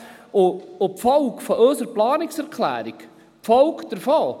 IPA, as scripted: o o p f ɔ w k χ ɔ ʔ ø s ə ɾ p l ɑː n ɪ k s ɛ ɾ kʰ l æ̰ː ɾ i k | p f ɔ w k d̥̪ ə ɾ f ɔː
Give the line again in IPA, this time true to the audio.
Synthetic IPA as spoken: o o p f ɔ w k f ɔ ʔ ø s ə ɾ p l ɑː n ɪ k s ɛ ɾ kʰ l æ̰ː ɾ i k | p f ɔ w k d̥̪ ə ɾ f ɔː